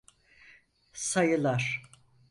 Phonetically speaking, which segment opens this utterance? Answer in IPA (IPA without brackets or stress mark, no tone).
s